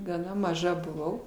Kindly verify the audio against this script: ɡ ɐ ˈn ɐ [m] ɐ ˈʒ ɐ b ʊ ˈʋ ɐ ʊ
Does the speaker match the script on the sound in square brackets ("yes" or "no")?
yes